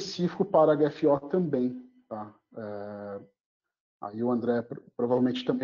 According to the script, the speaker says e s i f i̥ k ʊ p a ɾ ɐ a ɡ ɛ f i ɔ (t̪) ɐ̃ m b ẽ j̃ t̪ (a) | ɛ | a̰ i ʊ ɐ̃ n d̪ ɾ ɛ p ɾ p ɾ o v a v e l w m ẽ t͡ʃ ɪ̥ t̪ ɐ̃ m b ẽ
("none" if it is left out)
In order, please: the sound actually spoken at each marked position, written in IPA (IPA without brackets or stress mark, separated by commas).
t̪, a